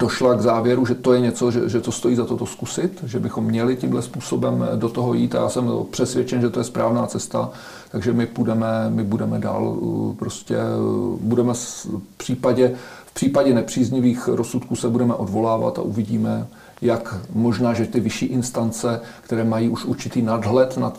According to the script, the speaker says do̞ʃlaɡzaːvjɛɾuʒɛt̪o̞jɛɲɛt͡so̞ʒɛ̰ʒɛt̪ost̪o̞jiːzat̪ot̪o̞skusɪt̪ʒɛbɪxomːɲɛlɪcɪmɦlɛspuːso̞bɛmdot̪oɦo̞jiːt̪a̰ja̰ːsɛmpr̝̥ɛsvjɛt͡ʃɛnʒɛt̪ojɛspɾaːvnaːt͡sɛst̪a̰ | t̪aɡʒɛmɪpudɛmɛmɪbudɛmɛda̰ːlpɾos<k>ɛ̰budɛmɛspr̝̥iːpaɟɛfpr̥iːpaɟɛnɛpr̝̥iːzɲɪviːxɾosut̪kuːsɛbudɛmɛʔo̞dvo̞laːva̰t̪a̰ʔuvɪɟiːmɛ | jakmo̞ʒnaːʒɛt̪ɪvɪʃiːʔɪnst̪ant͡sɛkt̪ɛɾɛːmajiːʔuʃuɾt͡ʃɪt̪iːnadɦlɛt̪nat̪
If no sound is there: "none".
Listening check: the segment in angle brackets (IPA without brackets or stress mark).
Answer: c